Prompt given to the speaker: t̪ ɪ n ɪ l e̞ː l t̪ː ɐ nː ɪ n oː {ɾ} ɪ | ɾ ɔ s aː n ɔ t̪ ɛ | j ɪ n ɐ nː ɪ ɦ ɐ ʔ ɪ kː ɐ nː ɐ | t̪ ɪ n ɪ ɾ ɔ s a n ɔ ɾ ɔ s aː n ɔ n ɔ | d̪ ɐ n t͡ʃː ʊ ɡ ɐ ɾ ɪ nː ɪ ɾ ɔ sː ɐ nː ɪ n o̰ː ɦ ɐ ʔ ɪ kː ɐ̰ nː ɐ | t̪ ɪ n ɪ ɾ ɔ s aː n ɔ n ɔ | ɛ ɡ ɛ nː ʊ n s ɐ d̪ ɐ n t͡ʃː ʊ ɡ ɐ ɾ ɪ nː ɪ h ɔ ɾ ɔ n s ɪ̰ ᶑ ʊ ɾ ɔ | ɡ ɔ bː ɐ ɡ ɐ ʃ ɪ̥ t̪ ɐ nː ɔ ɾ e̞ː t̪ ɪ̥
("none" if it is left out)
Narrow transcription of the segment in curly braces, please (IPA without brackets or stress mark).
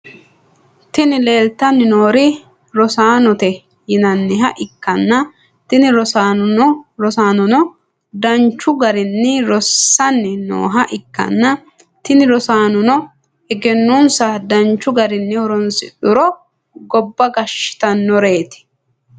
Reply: ɾ